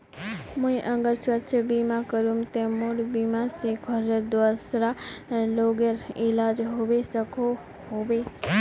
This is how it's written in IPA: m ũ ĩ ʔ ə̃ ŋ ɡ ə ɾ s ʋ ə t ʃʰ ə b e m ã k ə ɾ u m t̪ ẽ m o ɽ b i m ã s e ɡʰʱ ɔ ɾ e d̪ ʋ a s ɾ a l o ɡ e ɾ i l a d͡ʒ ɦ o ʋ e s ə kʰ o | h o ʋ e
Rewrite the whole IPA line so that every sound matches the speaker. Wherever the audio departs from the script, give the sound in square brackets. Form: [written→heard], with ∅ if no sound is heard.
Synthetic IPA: m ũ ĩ ʔ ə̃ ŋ ɡ ə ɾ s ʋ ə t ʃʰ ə b [e→i] m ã k ə ɾ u m t̪ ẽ m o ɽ b i m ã s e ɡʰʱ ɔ ɾ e d̪ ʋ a s ɾ a l o ɡ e ɾ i l a d͡ʒ ɦ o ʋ e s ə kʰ o | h o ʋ e